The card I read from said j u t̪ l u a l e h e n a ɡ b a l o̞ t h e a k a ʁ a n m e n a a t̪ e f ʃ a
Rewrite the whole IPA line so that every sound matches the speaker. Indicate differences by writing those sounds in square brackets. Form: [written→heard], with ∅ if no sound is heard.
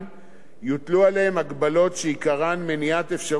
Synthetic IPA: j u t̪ l u a l e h e [n→m] a ɡ b a l o̞ t [h→ʃ] e [a→i] k a ʁ a n m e n [a→i] a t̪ e f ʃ a